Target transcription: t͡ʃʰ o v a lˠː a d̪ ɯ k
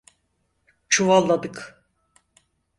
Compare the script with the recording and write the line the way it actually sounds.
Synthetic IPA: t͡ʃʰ u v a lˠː a d̪ ɯ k

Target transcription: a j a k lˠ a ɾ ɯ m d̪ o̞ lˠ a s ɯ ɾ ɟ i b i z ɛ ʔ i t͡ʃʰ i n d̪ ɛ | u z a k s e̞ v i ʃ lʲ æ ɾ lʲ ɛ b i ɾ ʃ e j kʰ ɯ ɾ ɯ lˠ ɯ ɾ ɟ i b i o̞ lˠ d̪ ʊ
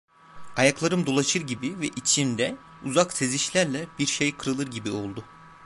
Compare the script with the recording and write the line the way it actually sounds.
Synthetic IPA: a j a k lˠ a ɾ ɯ m d̪ o̞ lˠ a ʃ ɯ ɾ ɟ i b i v ɛ ʔ i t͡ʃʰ i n d̪ ɛ | u z a k s e̞ z i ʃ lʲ æ ɾ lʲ ɛ b i ɾ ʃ e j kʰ ɯ ɾ ɯ lˠ ɯ ɾ ɟ i b i o̞ lˠ d̪ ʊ

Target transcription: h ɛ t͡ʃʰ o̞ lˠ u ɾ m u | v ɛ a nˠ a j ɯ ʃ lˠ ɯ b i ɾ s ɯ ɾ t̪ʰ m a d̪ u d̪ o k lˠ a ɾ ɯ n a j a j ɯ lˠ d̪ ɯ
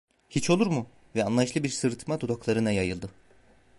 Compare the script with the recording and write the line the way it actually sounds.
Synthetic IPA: h i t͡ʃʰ o̞ lˠ u ɾ m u | v ɛ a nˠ a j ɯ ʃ lˠ ɯ b i ɾ s ɯ ɾ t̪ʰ m a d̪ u d̪ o k lˠ a ɾ ɯ n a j a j ɯ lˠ d̪ ɯ

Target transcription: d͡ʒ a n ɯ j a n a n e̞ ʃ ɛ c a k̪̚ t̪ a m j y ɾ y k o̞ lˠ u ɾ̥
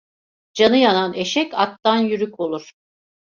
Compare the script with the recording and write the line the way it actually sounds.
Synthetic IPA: d͡ʒ a n ɯ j a n a n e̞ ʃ ɛ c a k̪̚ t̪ a n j y ɾ y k o̞ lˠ u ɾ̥

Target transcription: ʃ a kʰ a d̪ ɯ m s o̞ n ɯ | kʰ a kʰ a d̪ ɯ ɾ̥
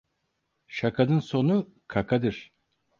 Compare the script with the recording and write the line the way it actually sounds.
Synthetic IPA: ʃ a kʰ a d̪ ɯ n s o̞ n u | kʰ a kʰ a d̪ ɯ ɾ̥

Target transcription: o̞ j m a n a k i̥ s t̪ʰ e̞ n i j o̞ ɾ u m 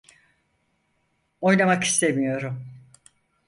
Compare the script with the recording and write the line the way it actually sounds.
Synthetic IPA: o̞ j n a m a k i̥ s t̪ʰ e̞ m i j o̞ ɾ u m

